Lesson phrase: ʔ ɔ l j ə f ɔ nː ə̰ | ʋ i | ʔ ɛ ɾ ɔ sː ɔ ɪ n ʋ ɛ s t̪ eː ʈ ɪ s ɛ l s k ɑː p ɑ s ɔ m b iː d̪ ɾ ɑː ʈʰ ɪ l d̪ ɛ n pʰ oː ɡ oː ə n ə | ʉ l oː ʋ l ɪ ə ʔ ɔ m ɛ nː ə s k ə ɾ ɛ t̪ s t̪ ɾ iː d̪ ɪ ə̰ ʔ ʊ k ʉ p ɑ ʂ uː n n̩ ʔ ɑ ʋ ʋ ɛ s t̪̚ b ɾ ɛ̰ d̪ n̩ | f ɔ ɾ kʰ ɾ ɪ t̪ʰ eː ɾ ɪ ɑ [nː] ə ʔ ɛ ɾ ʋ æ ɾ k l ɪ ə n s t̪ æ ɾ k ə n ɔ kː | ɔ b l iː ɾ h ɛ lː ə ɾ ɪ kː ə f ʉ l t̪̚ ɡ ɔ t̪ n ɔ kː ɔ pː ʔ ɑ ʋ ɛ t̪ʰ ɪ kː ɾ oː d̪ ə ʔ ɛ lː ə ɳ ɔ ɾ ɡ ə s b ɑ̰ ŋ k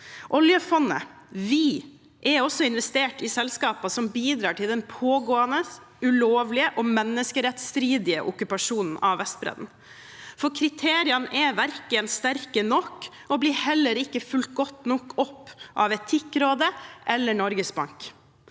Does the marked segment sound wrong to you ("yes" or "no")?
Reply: yes